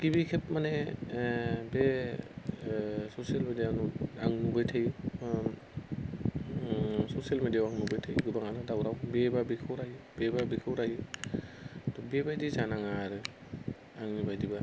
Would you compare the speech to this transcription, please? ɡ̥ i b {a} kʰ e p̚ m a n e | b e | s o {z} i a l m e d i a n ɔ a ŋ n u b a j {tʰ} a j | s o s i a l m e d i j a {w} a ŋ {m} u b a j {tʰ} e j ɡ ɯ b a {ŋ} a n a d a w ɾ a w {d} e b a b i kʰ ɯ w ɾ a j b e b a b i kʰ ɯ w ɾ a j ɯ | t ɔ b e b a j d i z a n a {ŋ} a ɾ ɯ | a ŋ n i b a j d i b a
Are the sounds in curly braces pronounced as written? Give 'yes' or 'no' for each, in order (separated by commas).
no, no, yes, yes, no, yes, yes, no, yes